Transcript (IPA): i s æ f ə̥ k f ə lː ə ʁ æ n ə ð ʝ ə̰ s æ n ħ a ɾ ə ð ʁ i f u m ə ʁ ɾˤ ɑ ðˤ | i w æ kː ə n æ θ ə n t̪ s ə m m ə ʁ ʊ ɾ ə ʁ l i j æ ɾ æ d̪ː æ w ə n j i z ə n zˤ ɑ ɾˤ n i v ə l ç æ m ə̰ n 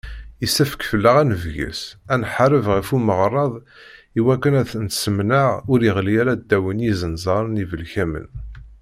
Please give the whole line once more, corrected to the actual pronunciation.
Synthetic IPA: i s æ f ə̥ k f ə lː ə ʁ æ n ə v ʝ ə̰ s æ n ħ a ɾ ə v ʁ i f u m ə ʁ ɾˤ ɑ ðˤ | i w æ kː ə n æ θ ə n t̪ s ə m n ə ʁ ʊ ɾ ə ʁ l i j æ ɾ æ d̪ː æ w ə n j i z ə n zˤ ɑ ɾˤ n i v ə l ç æ m ə̰ n